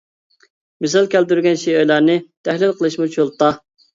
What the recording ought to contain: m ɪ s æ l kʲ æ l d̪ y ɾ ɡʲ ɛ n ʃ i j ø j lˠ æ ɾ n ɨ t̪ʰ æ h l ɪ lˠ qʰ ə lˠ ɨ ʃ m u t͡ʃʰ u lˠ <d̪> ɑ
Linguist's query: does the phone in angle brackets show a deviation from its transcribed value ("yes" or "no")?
yes